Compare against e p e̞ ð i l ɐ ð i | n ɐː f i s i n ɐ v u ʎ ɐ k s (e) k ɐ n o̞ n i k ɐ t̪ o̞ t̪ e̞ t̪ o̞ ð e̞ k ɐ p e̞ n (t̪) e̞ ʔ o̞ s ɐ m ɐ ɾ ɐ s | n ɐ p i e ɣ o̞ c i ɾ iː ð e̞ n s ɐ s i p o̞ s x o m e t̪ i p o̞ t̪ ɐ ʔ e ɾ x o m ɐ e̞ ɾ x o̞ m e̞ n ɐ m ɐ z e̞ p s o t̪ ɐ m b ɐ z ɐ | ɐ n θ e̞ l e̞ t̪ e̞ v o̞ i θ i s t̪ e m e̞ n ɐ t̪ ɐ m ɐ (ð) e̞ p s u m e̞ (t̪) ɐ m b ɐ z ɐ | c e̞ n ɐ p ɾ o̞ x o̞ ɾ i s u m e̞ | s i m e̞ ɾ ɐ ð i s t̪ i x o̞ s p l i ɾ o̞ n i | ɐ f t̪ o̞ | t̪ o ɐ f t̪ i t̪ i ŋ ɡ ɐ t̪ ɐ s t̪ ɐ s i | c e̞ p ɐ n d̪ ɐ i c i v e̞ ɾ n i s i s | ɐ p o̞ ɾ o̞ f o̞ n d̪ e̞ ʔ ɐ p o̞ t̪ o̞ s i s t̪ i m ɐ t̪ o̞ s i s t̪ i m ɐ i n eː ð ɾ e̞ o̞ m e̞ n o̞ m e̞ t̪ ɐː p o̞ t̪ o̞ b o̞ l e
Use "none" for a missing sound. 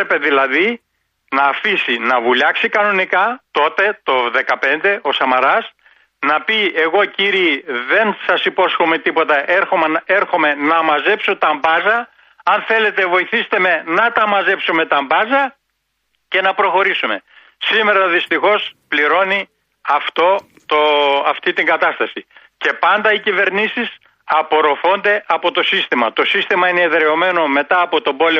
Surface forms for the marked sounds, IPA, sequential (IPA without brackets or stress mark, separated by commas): i, d̪, z, t̪